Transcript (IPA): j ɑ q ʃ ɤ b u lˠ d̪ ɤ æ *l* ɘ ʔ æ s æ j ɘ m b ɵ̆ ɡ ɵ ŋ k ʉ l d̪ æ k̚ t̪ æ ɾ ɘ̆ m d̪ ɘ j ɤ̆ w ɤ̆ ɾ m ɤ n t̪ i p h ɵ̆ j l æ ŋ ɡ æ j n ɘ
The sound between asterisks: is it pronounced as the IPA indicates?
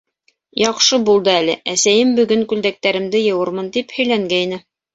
yes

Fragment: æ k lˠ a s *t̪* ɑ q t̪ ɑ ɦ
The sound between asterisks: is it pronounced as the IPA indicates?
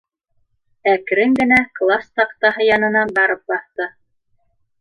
yes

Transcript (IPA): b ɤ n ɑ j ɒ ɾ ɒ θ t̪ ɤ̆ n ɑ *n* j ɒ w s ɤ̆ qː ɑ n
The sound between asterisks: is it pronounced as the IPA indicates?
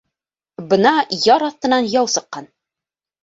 yes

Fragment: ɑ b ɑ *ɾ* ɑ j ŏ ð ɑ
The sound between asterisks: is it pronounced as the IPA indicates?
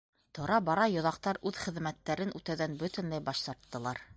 yes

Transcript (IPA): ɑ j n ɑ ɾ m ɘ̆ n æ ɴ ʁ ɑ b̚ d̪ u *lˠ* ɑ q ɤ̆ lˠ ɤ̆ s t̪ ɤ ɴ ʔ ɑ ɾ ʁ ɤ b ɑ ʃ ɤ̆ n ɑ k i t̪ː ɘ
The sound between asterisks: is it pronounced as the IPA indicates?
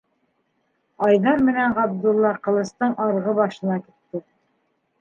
no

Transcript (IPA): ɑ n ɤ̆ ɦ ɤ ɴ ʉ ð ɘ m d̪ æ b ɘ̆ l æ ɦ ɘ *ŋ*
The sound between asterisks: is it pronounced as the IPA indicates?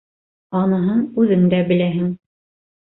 yes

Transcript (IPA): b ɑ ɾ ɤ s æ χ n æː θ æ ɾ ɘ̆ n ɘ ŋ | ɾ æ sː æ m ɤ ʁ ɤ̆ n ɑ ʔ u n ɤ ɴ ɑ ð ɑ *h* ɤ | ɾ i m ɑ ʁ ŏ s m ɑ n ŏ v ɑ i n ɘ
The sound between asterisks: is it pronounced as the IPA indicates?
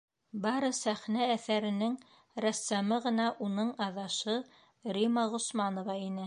no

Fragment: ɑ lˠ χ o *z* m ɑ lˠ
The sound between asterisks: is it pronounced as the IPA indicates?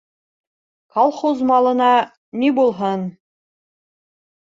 yes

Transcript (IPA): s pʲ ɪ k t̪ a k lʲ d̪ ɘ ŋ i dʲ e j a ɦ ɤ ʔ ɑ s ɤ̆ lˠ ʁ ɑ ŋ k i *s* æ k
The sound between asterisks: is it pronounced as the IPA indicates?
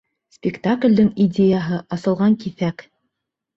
no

